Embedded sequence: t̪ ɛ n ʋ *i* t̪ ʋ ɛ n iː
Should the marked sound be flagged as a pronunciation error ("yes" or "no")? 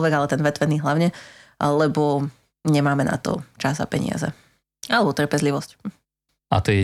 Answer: yes